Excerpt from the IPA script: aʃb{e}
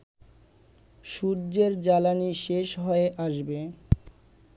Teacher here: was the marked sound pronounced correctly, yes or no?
yes